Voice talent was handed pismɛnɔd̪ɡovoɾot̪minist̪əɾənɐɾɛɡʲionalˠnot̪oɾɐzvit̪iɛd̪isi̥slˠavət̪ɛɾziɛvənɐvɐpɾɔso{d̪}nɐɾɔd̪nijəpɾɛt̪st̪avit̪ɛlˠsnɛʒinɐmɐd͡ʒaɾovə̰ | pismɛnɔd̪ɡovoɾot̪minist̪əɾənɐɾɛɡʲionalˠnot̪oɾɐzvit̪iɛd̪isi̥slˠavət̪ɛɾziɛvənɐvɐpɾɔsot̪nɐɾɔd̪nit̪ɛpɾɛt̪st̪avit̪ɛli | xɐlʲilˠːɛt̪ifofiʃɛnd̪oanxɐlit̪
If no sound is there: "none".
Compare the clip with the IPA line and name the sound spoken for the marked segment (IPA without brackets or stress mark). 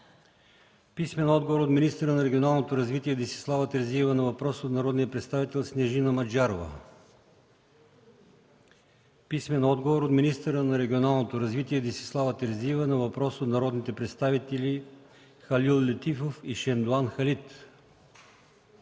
t̪